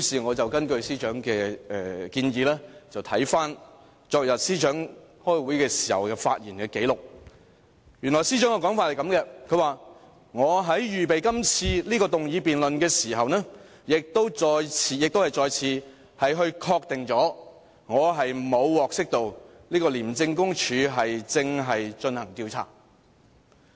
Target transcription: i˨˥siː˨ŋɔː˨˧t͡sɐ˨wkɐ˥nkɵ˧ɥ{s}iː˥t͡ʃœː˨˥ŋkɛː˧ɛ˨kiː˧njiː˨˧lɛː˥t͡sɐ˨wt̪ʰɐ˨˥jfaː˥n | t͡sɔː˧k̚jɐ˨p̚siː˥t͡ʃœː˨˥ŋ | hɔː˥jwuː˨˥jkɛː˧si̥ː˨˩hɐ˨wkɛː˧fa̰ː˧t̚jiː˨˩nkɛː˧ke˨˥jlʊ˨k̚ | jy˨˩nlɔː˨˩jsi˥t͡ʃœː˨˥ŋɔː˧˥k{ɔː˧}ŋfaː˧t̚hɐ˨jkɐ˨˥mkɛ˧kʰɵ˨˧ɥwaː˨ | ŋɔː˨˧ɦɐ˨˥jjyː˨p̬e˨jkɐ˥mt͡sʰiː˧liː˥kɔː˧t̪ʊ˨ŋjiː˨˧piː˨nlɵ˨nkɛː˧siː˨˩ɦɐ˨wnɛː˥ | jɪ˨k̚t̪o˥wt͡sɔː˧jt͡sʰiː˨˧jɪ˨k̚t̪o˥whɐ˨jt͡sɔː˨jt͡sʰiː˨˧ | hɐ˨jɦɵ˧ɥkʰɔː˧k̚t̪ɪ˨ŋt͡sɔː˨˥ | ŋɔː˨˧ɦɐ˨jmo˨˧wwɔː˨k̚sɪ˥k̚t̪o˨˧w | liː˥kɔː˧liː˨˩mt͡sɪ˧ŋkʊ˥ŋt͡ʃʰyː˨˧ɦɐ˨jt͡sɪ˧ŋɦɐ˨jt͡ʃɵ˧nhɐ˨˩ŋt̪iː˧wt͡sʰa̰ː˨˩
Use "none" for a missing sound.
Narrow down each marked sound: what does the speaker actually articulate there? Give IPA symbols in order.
s, ɔː˨˥

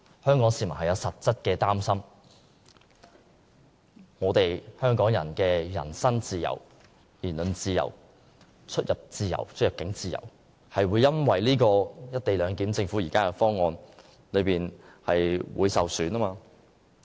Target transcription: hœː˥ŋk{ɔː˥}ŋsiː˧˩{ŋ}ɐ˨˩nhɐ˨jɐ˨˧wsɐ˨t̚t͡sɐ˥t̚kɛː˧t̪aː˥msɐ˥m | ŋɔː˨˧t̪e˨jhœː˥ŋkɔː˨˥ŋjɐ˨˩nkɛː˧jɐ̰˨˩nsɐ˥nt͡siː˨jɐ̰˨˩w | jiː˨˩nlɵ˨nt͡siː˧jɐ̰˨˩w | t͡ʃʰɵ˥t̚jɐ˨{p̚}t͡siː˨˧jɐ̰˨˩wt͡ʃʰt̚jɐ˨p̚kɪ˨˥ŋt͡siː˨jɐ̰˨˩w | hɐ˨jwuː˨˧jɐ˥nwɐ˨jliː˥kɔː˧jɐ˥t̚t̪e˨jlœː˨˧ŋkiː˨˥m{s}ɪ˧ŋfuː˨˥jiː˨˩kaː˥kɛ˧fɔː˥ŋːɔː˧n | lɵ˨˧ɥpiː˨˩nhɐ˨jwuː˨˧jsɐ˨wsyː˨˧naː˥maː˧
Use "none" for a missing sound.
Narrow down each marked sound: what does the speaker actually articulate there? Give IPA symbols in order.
ɔː˨˥, m, p̚, t͡s

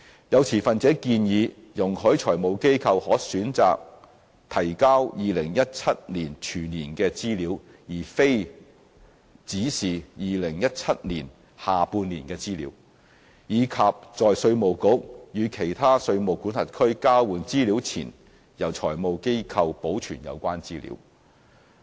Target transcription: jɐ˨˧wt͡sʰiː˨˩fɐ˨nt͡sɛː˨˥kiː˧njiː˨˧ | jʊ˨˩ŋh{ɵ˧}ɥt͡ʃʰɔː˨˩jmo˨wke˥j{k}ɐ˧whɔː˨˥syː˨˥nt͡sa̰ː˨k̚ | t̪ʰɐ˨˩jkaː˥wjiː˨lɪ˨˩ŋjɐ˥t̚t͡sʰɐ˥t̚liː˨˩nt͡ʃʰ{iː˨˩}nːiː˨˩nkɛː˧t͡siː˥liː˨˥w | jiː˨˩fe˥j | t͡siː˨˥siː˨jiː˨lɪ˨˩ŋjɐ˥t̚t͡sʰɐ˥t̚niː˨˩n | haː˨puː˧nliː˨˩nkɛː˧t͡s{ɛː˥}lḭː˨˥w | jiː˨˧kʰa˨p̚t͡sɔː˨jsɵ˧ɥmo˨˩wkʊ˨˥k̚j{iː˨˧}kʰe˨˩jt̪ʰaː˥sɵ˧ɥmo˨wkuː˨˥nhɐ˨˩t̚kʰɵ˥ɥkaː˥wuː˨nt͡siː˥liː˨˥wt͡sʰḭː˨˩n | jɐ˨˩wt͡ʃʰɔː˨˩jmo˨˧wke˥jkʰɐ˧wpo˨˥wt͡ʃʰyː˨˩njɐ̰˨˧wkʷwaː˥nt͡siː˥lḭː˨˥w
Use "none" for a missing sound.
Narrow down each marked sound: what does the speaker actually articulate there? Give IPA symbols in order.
ɵ˨˥, kʰ, yː˨˩, iː˥, yː˨˧

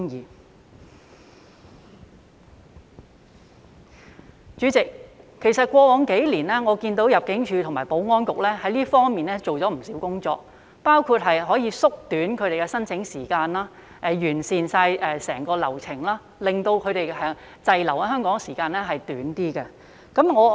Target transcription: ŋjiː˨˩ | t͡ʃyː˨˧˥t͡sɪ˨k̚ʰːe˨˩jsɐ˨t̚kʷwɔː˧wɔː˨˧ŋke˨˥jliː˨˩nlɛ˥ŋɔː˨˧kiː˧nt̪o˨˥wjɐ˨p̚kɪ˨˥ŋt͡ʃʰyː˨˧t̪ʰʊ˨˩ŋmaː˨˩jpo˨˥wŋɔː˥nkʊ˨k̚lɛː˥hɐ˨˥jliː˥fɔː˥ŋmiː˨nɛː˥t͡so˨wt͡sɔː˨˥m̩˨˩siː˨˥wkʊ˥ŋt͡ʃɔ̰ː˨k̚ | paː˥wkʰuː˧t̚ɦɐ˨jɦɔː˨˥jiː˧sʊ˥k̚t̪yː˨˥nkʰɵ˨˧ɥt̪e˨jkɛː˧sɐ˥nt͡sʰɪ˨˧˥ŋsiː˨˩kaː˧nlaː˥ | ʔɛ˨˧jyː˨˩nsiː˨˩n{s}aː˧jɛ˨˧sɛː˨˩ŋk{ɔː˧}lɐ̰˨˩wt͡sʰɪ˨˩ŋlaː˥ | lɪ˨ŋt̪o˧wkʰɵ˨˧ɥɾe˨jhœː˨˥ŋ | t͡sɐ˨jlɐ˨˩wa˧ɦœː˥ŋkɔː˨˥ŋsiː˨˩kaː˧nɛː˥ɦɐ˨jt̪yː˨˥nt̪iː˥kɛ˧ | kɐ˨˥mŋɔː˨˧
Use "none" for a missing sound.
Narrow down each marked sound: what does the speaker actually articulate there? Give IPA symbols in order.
s, ɔː˧

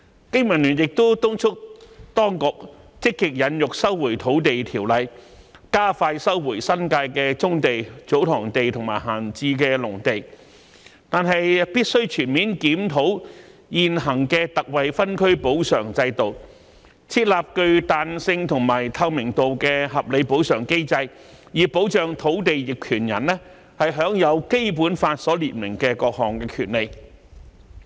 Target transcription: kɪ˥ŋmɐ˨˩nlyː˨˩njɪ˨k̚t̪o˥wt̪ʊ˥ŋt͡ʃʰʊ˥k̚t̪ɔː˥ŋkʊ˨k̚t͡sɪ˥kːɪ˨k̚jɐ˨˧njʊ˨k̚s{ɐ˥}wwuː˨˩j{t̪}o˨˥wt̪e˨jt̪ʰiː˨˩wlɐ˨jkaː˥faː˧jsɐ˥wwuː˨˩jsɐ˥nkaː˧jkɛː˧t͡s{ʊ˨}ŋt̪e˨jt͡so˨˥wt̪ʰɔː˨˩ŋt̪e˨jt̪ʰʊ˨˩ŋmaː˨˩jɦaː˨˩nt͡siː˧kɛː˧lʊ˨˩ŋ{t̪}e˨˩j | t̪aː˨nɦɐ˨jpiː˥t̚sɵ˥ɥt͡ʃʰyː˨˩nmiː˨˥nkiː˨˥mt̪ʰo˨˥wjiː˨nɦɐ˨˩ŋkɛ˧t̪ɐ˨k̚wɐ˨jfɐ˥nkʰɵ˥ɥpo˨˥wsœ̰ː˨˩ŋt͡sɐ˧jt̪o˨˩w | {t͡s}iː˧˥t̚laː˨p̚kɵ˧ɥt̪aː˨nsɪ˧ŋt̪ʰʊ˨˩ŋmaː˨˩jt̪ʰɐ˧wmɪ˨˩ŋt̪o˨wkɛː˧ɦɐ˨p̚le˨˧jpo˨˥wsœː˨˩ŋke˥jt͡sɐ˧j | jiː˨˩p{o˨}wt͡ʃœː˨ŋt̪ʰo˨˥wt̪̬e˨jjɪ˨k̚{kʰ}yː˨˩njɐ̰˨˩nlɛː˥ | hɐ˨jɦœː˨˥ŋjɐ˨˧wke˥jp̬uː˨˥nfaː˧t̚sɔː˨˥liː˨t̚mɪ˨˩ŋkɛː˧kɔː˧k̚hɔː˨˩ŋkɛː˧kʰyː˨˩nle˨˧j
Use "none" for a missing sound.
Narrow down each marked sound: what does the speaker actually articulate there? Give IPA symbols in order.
ɐ˥, t̪ʰ, ʊ˥, t̪, t͡sʰ, o˨˥, kʰ

